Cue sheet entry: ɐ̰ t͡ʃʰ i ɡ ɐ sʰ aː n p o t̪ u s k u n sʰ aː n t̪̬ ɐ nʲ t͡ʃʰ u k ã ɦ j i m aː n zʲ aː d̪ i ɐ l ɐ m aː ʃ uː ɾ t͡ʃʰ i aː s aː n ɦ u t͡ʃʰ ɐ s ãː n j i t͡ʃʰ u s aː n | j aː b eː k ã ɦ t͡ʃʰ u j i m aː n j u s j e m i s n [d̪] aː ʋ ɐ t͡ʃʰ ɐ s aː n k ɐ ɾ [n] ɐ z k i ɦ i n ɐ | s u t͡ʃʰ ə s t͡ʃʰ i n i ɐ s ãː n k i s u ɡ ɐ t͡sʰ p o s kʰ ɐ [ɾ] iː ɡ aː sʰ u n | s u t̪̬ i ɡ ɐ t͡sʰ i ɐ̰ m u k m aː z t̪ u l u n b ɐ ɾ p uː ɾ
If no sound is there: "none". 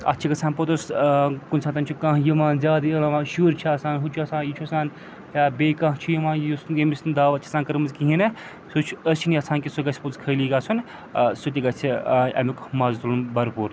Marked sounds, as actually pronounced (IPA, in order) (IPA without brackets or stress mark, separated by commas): d̪, m, l